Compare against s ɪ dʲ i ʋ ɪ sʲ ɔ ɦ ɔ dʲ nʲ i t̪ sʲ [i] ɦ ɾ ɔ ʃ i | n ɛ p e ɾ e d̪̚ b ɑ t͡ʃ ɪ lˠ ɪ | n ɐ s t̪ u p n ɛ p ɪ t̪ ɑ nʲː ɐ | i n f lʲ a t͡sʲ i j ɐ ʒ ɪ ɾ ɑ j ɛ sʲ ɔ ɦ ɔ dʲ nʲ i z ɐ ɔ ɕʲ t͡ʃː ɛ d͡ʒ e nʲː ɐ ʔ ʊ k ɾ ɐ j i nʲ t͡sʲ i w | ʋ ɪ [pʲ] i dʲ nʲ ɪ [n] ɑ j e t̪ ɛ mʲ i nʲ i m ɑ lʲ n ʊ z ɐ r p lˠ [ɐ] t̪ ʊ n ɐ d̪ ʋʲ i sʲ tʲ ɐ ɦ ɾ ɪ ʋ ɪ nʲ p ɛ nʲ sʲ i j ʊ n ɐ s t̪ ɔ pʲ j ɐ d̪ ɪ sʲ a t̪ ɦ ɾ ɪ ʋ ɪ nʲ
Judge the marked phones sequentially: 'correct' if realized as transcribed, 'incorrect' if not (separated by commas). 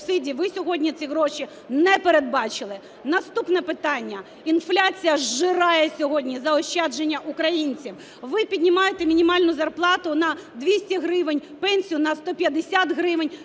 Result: correct, correct, incorrect, incorrect